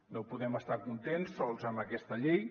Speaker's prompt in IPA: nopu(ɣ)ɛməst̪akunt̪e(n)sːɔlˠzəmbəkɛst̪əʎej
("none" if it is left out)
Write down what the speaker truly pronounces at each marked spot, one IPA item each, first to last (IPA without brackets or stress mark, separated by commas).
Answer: ð, n